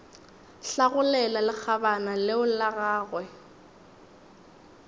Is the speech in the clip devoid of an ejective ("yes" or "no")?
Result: yes